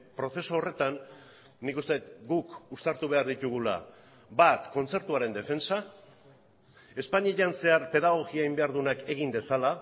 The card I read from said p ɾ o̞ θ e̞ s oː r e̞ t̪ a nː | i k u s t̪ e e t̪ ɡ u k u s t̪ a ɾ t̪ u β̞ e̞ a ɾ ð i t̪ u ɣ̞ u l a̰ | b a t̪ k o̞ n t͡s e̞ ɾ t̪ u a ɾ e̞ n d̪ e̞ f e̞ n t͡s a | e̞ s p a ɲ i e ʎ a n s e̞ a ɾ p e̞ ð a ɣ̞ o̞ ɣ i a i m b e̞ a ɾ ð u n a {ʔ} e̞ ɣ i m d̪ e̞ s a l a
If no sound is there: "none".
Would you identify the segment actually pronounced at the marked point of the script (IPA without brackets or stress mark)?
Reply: k